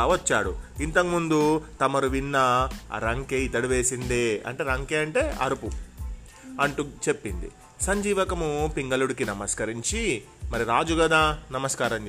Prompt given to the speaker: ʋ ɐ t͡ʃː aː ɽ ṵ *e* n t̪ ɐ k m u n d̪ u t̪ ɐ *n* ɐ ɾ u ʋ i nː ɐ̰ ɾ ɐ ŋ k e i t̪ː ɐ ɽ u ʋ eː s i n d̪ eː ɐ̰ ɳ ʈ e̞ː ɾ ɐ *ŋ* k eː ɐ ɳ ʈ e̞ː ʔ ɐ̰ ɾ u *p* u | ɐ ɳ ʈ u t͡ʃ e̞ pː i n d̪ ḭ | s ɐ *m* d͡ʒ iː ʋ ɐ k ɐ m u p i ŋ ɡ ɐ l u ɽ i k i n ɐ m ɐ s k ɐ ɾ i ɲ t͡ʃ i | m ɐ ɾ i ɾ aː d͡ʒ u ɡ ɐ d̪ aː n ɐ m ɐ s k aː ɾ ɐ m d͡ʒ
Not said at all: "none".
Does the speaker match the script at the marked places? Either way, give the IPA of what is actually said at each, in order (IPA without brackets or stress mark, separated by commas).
i, m, ŋ, p, ɲ